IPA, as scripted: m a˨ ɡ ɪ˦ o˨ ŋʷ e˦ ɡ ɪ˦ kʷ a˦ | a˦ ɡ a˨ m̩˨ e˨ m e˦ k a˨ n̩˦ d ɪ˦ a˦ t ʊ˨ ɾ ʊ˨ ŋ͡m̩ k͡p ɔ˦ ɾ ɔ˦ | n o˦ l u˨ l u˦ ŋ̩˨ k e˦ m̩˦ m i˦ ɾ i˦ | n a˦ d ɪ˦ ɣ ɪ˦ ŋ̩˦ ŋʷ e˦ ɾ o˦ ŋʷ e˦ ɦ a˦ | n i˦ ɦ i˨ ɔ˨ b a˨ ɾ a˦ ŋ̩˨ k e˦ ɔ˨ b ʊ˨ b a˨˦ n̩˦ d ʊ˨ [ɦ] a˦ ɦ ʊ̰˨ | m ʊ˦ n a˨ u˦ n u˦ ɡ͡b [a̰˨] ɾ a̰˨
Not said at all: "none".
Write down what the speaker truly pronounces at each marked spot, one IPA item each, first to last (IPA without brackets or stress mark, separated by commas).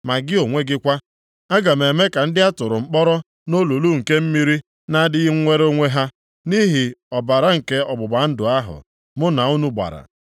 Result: none, a̰˨